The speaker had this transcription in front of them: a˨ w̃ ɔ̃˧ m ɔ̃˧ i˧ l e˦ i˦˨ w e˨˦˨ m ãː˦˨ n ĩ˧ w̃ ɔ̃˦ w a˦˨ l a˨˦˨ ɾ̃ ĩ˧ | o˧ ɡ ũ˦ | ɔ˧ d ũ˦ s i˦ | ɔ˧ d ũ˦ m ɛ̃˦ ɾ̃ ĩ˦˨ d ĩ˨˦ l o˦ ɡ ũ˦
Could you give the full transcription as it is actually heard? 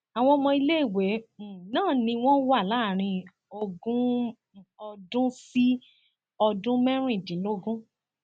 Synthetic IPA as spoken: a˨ w̃ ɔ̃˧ m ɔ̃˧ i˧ l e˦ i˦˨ w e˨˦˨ n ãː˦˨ n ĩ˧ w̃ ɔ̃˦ w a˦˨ l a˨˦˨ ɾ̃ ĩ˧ | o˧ ɡ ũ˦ | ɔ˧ d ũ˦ s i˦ | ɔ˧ d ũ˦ m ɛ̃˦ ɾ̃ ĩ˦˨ d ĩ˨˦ l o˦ ɡ ũ˦